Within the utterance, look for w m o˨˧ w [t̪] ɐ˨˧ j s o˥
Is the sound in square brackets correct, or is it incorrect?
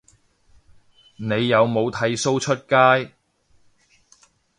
incorrect